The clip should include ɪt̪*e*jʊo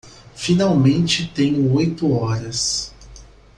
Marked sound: incorrect: ẽ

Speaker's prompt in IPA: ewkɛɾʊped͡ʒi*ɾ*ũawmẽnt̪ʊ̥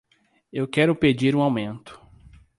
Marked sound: correct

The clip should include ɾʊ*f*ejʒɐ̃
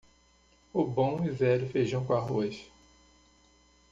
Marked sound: correct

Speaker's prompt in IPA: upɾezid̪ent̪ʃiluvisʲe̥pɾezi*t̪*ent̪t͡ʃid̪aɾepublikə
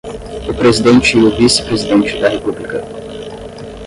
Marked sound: incorrect: d̪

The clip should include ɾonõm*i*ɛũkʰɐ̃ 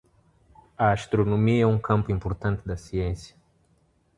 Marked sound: correct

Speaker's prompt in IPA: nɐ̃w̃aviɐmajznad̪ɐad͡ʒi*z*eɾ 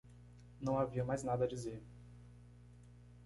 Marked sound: correct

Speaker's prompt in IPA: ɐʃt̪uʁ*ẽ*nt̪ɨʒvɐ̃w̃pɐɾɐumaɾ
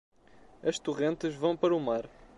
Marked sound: correct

